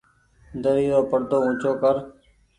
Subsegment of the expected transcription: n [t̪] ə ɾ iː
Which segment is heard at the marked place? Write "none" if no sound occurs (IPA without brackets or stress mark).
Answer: d̪